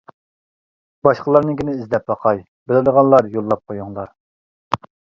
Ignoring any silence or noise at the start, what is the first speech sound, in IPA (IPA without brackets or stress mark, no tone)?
b